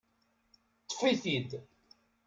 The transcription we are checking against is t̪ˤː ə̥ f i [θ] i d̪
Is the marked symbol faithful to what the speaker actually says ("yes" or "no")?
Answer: yes